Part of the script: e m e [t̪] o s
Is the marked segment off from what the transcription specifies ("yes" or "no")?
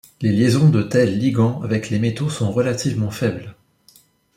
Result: no